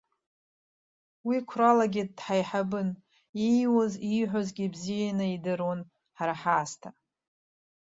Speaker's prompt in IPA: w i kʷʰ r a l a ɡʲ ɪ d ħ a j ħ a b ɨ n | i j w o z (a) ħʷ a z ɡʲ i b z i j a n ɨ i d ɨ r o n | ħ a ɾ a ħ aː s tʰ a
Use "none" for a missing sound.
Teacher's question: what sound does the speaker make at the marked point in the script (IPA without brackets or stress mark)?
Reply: i